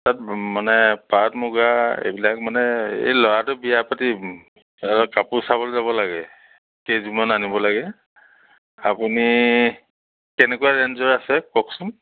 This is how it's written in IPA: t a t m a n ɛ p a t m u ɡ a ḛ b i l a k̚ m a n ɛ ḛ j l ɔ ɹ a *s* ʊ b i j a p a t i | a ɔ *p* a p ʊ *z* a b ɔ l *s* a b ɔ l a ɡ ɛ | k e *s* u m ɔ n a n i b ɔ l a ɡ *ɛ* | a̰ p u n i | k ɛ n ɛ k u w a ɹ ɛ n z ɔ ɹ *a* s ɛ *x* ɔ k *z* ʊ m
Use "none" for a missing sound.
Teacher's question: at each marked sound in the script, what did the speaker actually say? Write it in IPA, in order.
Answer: t, k, s, z, z, ɛ, a, k, s

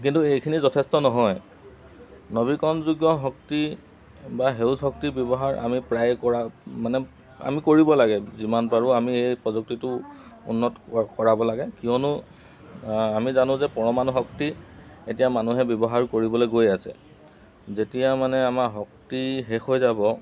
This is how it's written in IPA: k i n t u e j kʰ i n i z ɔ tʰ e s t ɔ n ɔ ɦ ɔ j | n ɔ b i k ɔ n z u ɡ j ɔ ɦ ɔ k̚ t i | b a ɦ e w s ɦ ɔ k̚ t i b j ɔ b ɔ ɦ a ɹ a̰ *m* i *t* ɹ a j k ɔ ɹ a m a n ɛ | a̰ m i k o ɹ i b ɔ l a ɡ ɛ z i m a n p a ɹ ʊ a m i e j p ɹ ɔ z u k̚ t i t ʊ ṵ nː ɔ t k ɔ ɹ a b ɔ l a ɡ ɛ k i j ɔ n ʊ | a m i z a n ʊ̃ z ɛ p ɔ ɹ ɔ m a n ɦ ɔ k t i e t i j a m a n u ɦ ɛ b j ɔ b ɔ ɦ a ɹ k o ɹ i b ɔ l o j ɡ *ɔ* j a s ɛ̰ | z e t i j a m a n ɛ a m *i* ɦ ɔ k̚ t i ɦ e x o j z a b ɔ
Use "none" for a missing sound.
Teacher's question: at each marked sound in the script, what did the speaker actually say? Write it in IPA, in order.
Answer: m, p, o, a

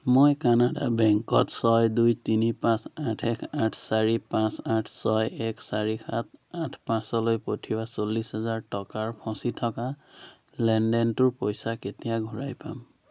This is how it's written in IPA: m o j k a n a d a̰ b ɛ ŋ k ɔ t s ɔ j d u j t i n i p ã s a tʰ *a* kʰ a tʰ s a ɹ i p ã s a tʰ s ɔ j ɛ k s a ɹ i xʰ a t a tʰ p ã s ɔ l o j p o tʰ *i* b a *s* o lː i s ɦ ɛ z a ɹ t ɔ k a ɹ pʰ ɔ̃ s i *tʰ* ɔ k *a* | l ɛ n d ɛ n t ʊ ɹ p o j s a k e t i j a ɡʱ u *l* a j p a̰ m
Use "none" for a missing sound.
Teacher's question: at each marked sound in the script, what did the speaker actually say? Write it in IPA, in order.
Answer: ɛ, i, s, tʰ, a, ɹ

